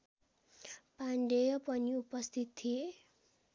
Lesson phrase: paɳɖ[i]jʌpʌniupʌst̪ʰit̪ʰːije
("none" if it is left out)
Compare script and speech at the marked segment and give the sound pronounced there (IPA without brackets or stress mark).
e